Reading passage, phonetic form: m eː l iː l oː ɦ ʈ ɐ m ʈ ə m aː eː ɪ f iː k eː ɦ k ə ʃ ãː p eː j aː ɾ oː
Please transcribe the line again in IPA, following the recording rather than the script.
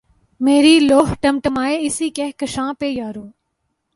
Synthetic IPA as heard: m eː ɾ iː l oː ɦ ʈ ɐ m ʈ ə m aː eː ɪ s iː k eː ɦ k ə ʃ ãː p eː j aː ɾ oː